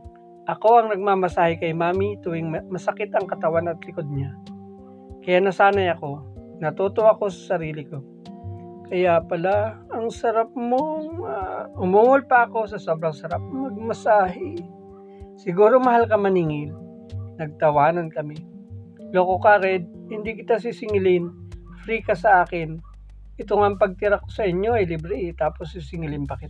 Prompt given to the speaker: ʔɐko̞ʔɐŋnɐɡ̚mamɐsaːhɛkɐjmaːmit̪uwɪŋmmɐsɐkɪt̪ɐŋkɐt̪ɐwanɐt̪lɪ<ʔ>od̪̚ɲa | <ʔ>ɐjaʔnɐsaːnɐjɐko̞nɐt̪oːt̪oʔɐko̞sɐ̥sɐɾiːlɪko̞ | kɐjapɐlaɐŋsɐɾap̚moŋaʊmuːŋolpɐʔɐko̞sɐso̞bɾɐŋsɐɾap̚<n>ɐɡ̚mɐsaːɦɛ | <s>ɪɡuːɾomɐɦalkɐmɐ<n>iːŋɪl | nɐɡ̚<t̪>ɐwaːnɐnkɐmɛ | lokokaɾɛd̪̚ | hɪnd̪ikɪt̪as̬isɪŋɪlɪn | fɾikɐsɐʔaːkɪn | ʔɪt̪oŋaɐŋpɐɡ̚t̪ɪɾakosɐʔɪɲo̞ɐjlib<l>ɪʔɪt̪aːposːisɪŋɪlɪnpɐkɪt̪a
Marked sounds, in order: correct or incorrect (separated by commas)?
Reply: incorrect, incorrect, incorrect, correct, correct, correct, incorrect